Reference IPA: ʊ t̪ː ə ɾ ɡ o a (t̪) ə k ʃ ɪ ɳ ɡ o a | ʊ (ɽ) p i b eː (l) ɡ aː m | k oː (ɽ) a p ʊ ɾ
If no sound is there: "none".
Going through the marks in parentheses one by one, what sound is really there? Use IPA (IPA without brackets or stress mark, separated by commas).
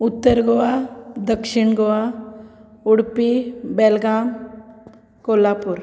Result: d̪, ɽ, l, l